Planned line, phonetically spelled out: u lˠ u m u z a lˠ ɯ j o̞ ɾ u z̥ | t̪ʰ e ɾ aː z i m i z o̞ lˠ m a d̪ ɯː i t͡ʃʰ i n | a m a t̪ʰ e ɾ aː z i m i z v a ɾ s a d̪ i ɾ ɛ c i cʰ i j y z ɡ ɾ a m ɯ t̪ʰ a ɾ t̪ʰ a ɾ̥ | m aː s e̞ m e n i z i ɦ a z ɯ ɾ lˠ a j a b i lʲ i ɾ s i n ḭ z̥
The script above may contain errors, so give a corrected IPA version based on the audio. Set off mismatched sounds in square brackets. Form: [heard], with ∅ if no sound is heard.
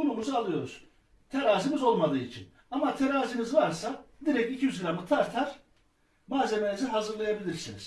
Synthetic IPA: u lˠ u m u z a lˠ ɯ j o̞ ɾ u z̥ | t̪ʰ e ɾ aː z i m i z o̞ lˠ m a d̪ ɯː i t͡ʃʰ i n | a m a t̪ʰ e ɾ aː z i m i z v a ɾ s a d̪ i ɾ ɛ c i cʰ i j y z ɡ ɾ a m ɯ t̪ʰ a ɾ t̪ʰ a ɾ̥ | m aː [z] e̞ m e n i z i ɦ a z ɯ ɾ lˠ a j a b i lʲ i ɾ s i n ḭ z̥